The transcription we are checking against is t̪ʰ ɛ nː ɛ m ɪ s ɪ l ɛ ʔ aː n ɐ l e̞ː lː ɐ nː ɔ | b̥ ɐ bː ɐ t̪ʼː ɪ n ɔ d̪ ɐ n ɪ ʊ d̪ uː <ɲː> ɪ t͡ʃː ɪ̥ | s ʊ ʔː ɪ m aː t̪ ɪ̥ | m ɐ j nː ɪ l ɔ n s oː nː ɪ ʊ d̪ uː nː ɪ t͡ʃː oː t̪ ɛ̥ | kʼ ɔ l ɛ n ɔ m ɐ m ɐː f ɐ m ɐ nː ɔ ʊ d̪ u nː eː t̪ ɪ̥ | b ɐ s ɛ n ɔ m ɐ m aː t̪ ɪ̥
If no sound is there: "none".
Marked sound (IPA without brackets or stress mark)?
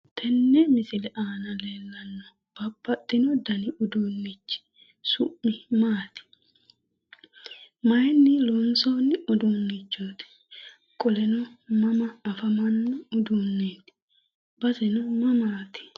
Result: nː